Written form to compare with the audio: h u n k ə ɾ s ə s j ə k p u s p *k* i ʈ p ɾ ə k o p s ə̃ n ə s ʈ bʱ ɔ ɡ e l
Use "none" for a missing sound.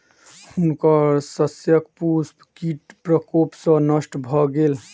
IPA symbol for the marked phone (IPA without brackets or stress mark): k